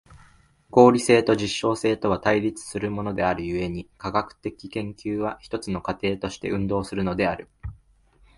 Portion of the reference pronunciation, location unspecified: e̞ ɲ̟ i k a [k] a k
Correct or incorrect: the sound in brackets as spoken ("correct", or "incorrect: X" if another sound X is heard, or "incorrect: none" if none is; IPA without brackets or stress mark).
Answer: incorrect: ɡ